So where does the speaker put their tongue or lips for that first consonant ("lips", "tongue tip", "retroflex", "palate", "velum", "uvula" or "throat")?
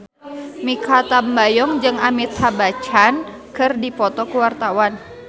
lips